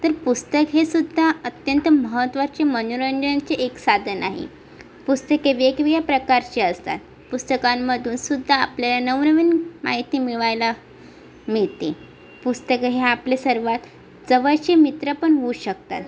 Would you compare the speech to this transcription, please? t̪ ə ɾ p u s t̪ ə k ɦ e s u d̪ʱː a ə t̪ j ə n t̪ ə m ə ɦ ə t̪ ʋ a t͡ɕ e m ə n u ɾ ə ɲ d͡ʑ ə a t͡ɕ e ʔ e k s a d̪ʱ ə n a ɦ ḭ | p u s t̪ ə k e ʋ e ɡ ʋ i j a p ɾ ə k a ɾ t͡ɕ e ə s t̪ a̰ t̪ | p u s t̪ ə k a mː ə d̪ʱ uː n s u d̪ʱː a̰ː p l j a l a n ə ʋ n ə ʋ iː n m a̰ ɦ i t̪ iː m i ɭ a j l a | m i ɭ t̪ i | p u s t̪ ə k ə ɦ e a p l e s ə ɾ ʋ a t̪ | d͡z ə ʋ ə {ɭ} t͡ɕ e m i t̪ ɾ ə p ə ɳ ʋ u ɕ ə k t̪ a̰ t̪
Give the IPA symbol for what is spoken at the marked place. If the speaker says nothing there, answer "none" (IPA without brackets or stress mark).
ɭ